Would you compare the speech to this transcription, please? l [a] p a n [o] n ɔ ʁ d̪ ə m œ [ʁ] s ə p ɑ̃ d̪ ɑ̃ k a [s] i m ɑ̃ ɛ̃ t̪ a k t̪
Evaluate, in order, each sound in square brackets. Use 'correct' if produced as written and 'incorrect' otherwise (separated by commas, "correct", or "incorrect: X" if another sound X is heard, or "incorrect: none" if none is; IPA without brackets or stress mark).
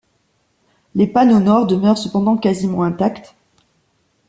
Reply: incorrect: e, correct, correct, incorrect: z